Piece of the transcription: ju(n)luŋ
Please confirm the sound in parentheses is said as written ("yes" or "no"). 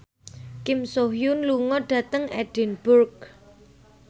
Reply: yes